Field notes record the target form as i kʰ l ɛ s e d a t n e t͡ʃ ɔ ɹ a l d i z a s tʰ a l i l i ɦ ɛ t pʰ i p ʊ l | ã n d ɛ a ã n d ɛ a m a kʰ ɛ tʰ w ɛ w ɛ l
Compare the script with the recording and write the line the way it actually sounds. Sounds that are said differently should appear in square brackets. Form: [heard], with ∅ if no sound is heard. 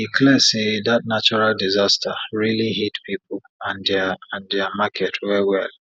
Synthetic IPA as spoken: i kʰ l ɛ s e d a t n [a] t͡ʃ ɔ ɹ a l d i z a s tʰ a [ɹ] i l i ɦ [i] t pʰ i p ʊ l | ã n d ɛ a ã n d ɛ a m a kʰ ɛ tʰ w ɛ w ɛ l